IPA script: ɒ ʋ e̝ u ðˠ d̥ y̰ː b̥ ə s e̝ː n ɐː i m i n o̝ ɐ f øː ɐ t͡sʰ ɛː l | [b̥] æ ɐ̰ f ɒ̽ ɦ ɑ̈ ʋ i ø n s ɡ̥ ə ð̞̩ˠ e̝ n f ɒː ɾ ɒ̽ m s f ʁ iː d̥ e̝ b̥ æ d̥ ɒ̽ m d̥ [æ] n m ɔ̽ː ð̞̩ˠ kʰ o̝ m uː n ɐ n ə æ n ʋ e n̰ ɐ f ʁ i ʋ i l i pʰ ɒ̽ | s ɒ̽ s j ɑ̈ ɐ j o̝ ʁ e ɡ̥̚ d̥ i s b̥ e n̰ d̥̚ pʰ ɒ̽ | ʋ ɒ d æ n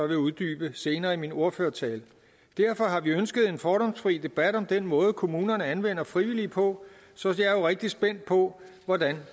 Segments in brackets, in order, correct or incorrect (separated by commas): incorrect, incorrect